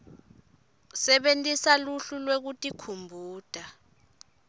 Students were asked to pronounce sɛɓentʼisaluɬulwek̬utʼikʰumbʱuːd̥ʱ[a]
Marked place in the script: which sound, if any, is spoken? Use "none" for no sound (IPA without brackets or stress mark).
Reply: a